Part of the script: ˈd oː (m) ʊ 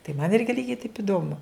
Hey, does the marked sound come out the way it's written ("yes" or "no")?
yes